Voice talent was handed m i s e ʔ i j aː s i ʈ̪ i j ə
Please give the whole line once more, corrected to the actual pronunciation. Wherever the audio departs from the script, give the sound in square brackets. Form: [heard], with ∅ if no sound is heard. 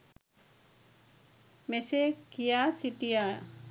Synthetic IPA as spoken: m [e] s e [k] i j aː s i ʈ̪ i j [a]